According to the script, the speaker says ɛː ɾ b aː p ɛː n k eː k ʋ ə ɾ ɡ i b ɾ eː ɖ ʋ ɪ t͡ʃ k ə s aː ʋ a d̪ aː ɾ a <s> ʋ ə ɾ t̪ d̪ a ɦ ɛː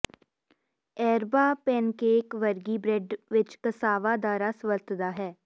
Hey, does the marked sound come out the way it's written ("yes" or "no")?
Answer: yes